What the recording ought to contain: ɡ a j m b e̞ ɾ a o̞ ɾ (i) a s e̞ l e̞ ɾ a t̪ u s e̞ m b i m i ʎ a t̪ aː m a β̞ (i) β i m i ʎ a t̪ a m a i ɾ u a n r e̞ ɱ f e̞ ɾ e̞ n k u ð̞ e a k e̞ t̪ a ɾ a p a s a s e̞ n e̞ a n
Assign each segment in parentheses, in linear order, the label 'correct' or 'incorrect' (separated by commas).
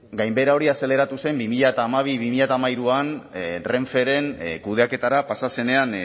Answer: correct, correct